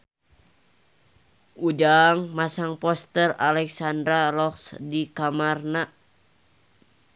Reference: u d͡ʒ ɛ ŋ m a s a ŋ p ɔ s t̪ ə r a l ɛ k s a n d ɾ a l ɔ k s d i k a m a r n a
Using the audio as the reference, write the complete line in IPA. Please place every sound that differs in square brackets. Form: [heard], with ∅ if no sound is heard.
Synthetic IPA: u d͡ʒ [a] ŋ m a s a ŋ p ɔ s t̪ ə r a l ɛ k s a n d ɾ a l ɔ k s d i k a m a r n a